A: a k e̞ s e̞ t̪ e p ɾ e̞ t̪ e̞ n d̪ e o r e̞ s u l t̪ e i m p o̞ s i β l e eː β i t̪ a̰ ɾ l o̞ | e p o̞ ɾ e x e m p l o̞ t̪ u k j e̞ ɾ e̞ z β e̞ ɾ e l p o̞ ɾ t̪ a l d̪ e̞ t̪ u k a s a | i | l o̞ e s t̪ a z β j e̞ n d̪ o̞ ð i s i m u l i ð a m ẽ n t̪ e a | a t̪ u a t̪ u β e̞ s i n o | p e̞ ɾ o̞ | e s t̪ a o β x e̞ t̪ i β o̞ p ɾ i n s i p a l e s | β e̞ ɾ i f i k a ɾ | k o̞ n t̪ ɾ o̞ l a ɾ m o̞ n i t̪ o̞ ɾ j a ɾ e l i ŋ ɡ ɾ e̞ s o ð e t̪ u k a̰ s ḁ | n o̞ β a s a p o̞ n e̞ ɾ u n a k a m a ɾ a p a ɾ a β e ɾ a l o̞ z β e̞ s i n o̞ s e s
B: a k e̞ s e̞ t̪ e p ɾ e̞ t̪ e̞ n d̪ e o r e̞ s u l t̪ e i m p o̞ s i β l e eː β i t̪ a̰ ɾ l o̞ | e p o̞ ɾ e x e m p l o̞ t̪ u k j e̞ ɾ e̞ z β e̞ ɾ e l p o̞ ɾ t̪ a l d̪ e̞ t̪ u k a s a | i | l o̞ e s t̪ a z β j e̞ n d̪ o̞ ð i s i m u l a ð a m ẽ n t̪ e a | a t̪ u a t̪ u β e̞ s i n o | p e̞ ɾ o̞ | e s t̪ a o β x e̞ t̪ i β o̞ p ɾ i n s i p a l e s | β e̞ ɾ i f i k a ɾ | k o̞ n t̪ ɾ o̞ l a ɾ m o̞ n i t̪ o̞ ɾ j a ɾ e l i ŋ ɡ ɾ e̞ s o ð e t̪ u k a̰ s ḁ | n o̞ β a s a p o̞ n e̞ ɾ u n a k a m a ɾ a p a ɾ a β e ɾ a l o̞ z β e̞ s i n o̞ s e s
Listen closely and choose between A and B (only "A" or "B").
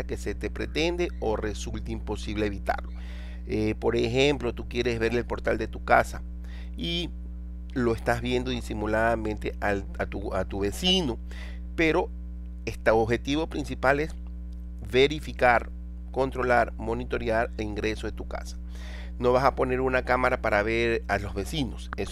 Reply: B